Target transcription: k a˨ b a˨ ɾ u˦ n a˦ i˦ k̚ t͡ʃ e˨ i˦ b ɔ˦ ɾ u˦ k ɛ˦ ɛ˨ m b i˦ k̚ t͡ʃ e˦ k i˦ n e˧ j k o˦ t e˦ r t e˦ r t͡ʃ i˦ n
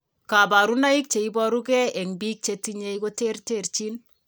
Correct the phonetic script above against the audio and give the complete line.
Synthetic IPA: k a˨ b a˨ ɾ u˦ n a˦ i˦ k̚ t͡ʃ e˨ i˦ b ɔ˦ ɾ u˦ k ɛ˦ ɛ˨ ŋ b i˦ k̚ t͡ʃ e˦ t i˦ ɲ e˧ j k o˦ t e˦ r t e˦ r t͡ʃ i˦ n